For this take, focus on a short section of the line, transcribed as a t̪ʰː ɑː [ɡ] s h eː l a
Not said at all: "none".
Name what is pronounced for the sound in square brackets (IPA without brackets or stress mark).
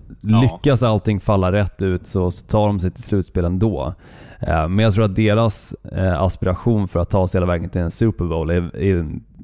none